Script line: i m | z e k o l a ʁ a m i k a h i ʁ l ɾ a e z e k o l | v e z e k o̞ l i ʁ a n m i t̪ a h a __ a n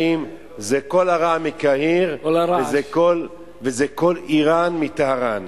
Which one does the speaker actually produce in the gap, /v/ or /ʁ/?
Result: ʁ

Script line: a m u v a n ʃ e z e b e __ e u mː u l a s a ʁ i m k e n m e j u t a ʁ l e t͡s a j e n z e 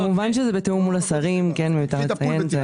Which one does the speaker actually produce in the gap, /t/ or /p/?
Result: t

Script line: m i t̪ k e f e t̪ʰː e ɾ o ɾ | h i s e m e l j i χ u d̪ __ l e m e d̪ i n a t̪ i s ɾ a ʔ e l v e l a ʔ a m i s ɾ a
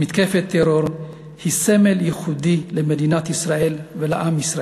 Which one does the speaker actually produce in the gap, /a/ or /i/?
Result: i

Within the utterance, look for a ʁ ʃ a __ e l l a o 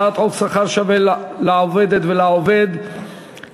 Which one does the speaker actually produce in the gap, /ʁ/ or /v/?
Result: v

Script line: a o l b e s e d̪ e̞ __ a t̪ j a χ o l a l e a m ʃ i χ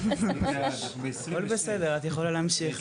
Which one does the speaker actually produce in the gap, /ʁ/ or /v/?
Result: ʁ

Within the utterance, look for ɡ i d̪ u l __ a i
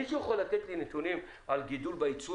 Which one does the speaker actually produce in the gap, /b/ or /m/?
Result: b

